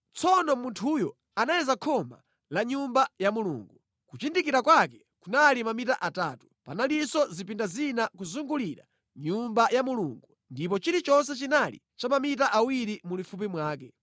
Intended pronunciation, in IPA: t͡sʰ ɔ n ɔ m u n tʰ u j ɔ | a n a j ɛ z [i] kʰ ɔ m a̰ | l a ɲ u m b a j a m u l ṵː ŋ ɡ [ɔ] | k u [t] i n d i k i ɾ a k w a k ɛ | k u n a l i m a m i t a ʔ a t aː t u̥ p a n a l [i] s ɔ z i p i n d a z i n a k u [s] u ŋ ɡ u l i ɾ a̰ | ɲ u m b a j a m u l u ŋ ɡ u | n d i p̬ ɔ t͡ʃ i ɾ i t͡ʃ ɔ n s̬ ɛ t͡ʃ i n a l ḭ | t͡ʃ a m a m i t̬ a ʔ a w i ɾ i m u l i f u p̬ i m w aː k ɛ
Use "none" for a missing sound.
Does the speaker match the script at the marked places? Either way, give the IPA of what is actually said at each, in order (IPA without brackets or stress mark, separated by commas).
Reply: a, u, t͡ʃ, i, z